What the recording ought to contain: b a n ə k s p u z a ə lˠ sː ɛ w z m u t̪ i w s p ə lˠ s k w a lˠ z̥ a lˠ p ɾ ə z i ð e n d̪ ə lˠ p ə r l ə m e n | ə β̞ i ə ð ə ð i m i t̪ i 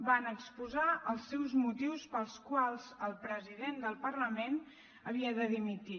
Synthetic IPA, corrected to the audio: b a n ə k s p u z a ə lˠ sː ɛ w z m u t̪ i w s p ə lˠ s k w a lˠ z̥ ə lˠ p ɾ ə z i ð e n d̪ ə lˠ p ə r l ə m e n | ə β̞ i ə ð ə ð i m i t̪ i